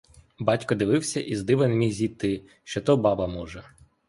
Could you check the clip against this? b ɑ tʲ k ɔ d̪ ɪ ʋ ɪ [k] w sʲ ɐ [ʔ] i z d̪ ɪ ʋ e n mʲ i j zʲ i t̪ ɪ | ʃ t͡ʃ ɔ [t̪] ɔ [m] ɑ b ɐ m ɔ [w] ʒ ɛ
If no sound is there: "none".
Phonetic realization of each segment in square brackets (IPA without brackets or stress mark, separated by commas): none, ʔ, t̪, b, none